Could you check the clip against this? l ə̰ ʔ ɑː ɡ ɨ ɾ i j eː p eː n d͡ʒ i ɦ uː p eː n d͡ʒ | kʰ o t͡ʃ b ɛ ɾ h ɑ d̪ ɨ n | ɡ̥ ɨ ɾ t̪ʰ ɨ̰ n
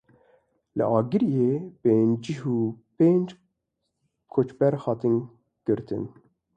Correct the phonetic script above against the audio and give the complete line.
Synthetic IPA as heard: l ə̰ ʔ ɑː ɡ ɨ ɾ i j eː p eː n d͡ʒ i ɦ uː p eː n d͡ʒ | kʰ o t͡ʃ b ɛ ɾ h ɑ t̪ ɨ n | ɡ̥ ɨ ɾ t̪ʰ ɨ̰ n